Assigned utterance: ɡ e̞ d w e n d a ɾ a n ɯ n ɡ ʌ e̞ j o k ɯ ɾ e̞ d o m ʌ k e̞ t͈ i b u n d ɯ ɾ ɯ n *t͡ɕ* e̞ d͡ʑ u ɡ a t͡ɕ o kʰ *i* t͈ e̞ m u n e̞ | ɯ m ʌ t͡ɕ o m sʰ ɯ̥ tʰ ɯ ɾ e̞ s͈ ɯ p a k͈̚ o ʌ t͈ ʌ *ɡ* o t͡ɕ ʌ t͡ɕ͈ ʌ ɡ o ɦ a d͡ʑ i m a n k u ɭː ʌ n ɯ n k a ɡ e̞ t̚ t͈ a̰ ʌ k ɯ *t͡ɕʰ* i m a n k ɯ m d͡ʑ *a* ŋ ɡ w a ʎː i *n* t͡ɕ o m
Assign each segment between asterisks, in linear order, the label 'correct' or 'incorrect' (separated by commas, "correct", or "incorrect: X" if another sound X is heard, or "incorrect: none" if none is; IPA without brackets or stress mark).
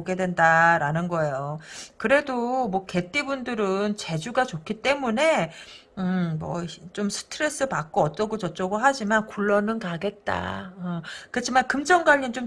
correct, correct, correct, correct, incorrect: ʌ, correct